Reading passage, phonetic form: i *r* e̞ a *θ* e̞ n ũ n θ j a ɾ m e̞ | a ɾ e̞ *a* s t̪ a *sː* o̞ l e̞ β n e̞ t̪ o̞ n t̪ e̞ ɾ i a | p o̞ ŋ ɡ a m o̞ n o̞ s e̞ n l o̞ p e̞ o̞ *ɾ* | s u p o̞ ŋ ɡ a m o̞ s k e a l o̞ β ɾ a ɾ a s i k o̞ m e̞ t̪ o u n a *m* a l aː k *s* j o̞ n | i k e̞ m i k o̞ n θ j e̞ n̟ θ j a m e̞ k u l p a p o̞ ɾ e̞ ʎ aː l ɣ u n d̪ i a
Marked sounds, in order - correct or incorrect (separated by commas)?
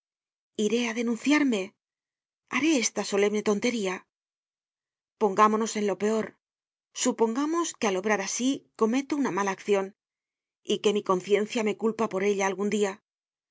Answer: incorrect, incorrect, incorrect, incorrect, correct, correct, incorrect